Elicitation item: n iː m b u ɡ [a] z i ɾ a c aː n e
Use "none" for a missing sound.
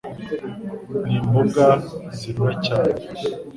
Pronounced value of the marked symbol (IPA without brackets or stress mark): a